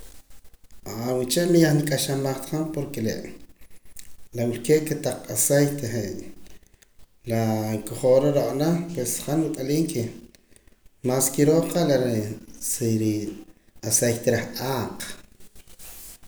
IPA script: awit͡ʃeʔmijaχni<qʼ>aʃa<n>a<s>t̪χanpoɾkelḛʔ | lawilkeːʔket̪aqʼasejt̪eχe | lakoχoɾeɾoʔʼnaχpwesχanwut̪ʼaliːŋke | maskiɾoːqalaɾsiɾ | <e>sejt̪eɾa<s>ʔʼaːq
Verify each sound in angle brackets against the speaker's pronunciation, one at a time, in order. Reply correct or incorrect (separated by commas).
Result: incorrect, incorrect, incorrect, incorrect, incorrect